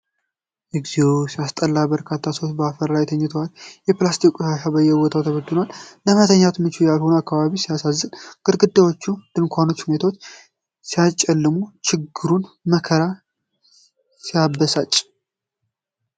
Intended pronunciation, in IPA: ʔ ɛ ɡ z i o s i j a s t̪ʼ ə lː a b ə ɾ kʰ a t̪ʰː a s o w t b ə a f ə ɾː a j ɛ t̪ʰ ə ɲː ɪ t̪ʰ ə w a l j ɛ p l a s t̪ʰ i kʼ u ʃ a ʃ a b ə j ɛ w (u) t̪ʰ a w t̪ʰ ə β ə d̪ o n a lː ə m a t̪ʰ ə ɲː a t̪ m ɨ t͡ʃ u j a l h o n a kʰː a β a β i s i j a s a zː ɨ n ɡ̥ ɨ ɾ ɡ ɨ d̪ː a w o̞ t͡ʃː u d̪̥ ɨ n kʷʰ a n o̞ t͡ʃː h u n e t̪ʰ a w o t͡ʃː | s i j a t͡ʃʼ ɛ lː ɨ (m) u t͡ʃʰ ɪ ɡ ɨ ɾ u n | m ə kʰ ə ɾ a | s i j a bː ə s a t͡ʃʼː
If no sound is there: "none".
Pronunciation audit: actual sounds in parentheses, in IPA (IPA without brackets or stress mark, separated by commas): ɔ, m